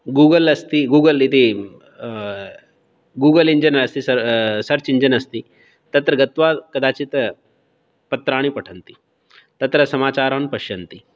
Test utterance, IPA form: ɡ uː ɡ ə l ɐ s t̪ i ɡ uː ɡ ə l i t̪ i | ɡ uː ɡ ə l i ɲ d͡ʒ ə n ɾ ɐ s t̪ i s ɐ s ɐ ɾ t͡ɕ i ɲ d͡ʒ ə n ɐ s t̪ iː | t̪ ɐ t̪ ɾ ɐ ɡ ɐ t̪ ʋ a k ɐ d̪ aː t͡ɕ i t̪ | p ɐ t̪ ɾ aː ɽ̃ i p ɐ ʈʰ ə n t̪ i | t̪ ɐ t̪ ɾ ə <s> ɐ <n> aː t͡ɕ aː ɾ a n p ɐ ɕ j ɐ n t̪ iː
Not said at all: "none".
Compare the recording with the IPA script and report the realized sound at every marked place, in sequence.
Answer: s, m

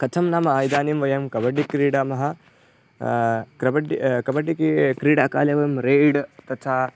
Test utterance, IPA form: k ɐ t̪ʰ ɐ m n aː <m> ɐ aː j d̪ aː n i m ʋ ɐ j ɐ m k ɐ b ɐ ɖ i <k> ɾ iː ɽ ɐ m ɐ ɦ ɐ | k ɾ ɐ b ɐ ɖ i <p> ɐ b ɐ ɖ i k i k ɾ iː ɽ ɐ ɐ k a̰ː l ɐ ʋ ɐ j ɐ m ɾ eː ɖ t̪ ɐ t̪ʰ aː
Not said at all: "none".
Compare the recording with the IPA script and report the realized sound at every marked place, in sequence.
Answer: m, k, k

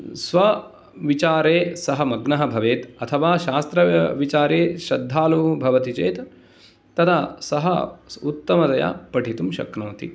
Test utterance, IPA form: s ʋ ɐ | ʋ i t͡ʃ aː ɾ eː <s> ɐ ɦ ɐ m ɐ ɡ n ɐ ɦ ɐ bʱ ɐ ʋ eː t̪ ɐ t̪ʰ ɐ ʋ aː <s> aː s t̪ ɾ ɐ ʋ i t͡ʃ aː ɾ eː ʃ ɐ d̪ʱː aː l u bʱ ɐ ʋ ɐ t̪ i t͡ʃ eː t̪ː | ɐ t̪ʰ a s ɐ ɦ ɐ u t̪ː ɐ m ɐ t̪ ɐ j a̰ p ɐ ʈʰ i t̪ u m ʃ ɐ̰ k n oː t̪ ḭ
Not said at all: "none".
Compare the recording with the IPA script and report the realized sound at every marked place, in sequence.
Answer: s, ʃ

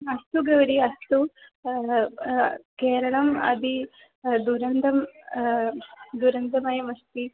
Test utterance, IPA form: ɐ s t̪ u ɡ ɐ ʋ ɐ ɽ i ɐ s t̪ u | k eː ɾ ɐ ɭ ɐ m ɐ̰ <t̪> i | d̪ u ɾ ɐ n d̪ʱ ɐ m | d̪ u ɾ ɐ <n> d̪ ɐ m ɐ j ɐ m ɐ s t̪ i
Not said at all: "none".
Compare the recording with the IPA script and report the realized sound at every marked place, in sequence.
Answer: d̪, n

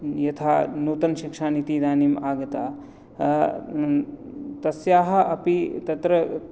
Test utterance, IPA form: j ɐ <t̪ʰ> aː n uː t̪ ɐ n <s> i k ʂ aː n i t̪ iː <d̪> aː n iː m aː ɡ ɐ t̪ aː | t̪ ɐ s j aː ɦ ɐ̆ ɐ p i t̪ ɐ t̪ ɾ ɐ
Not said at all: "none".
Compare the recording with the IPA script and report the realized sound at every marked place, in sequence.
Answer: t̪ʰ, ʃ, d̪

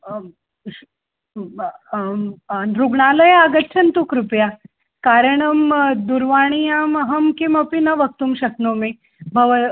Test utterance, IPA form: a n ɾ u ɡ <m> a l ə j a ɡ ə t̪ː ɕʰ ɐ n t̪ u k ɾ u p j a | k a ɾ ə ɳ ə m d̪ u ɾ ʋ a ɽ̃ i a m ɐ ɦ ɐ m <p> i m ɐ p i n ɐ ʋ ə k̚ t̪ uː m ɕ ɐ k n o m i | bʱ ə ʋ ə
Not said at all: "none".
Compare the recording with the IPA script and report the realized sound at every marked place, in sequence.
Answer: ɳ, k

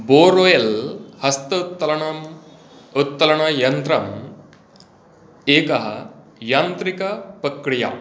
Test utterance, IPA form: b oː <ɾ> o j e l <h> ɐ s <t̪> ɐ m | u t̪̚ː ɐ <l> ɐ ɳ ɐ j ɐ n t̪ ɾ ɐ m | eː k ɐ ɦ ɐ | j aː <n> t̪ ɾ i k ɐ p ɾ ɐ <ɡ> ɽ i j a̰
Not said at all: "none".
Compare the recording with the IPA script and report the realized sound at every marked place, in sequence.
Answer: ɾ, h, t̪, l, n, k

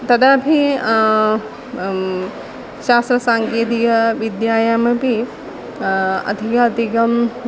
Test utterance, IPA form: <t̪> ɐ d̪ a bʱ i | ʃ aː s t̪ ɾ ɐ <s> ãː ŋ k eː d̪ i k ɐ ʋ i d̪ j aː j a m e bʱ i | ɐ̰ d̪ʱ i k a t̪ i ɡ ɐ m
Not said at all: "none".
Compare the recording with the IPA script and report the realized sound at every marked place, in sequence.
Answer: t̪, s

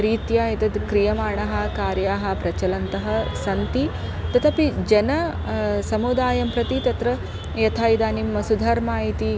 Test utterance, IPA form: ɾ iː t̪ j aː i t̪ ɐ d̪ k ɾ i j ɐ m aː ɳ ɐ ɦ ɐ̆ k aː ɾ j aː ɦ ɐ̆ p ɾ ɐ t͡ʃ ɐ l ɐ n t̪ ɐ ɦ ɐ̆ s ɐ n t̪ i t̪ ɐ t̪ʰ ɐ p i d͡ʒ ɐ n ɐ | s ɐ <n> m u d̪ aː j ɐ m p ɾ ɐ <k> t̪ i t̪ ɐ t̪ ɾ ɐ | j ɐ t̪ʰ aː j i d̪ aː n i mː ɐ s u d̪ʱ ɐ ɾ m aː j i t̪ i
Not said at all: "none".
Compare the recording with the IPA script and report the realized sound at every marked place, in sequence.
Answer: none, none

